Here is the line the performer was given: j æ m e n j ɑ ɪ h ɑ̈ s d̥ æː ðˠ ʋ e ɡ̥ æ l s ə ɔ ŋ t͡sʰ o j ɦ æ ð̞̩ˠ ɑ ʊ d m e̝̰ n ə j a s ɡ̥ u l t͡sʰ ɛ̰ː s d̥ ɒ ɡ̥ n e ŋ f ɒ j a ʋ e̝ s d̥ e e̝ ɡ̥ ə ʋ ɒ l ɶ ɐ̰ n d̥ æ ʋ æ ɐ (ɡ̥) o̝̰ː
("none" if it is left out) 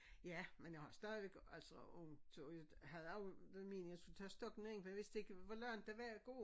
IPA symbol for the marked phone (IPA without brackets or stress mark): ɡ̥